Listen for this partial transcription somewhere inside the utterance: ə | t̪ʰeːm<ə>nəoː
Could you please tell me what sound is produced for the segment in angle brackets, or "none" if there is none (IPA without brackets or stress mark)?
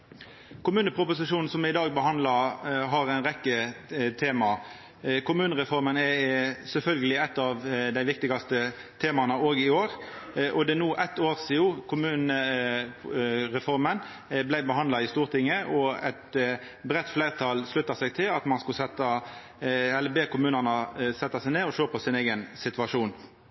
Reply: ɑ